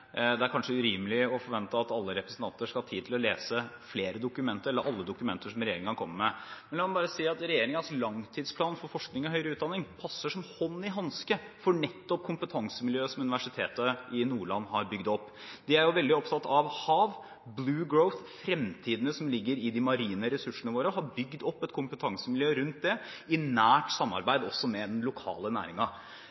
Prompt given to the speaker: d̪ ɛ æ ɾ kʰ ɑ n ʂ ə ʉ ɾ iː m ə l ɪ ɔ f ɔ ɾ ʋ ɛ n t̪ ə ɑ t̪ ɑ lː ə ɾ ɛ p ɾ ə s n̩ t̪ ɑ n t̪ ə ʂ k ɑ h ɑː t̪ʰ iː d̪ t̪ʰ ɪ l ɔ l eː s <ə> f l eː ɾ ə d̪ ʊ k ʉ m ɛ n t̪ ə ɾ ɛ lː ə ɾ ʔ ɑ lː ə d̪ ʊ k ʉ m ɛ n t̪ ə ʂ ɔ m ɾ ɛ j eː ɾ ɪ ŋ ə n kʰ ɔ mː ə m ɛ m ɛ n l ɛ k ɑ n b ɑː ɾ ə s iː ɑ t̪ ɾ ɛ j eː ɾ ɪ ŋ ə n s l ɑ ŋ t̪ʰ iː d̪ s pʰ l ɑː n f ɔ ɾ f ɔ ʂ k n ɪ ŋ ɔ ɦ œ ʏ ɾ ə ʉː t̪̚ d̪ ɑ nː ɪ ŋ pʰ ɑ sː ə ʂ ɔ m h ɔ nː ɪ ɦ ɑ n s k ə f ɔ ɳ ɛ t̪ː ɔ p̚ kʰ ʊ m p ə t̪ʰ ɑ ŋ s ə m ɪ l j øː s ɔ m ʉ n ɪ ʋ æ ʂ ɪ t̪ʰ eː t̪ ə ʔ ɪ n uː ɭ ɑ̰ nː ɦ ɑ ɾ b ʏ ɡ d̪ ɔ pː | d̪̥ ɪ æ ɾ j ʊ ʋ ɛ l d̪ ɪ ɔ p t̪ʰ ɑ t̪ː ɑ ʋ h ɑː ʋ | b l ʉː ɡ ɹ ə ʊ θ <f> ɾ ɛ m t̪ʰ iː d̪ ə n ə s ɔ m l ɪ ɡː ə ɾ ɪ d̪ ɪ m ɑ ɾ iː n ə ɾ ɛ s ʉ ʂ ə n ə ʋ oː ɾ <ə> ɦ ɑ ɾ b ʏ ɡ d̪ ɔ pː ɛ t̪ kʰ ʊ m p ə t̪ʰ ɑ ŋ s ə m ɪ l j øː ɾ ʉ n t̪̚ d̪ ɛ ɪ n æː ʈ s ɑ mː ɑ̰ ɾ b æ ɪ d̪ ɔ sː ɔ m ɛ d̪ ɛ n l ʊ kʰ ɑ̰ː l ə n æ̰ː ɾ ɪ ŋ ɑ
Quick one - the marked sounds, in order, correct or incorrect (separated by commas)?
correct, correct, correct